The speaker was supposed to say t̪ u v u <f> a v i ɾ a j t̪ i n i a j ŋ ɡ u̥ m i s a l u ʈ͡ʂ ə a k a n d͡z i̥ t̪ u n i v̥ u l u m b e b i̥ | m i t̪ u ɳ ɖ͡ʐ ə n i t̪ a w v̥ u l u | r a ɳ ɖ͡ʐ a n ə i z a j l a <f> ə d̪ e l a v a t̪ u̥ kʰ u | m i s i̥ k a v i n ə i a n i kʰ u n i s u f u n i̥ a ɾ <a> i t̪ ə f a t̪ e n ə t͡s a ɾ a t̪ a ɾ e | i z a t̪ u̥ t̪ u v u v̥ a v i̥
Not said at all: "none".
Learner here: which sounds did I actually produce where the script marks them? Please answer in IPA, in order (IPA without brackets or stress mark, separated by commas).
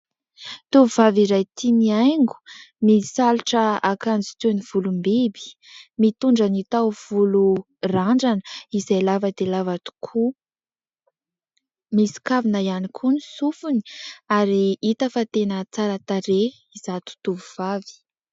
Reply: v, v, i